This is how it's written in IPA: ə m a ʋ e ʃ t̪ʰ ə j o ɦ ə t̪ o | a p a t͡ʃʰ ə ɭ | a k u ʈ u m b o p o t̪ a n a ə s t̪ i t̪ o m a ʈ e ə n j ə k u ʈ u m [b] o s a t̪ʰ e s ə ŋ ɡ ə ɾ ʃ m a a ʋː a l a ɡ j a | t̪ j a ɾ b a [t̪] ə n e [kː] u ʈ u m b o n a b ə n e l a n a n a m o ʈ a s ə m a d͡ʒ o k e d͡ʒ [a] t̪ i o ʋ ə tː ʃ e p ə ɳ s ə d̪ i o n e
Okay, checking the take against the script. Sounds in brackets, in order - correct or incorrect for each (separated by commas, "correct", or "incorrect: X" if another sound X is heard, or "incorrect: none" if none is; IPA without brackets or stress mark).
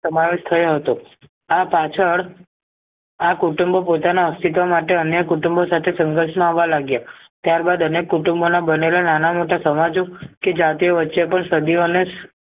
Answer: correct, incorrect: d̪, correct, correct